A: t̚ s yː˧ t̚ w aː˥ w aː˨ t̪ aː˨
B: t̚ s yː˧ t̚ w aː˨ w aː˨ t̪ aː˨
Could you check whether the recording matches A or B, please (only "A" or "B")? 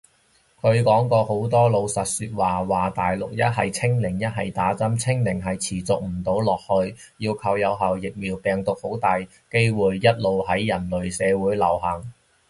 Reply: B